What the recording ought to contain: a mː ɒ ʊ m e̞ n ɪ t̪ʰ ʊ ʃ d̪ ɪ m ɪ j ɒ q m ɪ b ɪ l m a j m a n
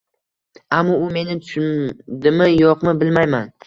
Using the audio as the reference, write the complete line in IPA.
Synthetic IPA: a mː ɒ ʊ m e̞ n ɪ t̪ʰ ʊ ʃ d̪ ɪ m ɪ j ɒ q m ɪ b ɪ l m a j m a n